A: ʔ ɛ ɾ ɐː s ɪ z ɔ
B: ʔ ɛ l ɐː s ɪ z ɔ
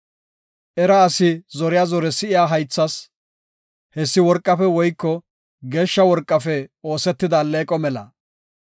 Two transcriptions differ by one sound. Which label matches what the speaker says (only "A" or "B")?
A